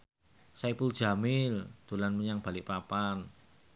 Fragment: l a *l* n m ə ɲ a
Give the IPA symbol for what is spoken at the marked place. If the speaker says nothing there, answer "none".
none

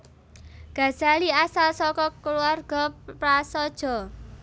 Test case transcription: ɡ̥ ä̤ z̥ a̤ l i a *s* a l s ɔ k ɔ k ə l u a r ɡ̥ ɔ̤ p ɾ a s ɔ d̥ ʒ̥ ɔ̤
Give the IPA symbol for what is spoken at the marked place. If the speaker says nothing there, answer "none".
s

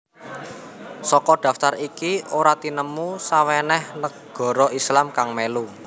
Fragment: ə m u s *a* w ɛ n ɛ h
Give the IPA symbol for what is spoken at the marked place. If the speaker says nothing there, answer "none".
a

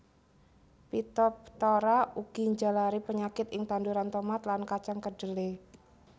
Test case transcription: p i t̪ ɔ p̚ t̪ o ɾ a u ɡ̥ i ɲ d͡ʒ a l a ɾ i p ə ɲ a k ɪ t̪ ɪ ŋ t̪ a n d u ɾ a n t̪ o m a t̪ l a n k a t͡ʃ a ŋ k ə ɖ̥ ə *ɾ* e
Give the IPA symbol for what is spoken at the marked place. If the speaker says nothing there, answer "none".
l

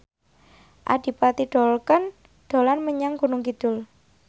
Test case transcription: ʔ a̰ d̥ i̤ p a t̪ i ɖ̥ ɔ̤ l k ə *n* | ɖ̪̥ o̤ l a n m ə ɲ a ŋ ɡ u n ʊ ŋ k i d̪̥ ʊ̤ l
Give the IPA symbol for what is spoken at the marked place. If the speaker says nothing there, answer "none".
n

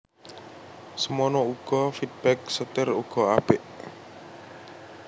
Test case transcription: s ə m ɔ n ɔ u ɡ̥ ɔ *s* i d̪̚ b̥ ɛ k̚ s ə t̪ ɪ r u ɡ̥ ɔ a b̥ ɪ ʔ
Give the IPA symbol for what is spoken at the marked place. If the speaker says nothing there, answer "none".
f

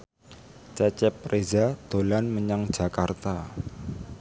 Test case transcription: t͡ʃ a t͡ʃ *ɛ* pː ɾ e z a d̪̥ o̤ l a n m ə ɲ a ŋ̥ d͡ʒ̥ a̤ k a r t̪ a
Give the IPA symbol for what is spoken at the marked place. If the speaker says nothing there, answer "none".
ɛ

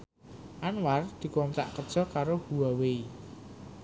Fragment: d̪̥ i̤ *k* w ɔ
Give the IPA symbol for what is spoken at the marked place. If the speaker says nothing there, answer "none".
k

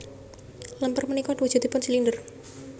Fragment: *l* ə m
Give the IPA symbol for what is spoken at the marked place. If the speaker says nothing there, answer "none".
l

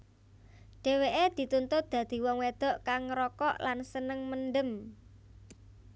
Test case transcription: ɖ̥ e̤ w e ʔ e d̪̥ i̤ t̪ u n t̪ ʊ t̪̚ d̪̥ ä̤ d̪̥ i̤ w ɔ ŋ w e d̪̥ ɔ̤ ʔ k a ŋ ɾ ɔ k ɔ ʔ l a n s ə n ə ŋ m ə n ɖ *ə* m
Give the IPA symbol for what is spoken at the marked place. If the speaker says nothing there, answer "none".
ə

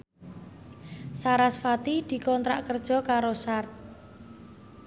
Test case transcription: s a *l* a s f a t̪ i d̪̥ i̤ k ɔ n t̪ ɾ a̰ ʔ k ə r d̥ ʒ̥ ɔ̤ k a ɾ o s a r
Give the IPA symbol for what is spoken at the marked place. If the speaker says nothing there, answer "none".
ɾ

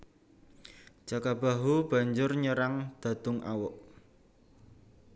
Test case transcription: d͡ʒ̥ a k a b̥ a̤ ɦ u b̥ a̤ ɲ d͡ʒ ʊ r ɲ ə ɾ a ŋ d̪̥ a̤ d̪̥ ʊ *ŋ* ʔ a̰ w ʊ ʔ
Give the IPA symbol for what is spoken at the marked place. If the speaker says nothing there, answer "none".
ŋ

